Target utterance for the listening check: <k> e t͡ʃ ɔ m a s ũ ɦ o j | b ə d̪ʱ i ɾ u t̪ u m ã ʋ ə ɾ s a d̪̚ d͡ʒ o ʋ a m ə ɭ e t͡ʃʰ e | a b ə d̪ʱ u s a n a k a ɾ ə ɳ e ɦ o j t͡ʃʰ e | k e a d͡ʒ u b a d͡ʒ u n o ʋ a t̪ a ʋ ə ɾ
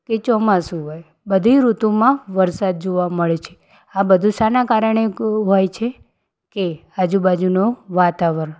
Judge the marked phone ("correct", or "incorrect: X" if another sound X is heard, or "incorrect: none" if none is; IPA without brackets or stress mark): correct